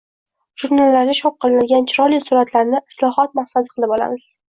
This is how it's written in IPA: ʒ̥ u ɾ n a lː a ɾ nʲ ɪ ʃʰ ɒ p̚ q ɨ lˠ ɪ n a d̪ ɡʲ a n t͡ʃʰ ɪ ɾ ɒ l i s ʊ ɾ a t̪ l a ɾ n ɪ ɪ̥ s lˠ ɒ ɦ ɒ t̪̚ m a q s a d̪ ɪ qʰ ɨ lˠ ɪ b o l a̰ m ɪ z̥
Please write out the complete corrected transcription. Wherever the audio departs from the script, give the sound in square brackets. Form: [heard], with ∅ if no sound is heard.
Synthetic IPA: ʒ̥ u ɾ n a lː a ɾ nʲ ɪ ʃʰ ɒ p̚ q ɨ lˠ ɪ n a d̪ ɡʲ a n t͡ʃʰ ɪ ɾ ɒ l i s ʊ ɾ a t̪ l a ɾ n ɪ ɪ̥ s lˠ ɒ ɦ ɒ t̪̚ m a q s a d̪ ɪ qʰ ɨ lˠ ɪ b [ɒ] l a̰ m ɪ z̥